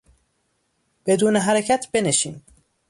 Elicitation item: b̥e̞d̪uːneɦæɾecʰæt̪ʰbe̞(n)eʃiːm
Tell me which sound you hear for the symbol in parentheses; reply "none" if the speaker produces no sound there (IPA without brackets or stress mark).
n